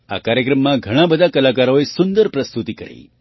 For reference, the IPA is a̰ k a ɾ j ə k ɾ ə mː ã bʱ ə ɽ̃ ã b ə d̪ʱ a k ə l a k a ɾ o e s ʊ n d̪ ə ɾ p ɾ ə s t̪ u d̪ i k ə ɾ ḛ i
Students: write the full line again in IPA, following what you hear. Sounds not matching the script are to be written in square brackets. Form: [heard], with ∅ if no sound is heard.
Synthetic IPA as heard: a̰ k a ɾ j ə k ɾ ə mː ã [ɡʱ] ə ɽ̃ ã b ə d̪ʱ a k ə l a k a ɾ o e s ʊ n d̪ ə ɾ p ɾ ə s t̪ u [t̪] i k ə ɾ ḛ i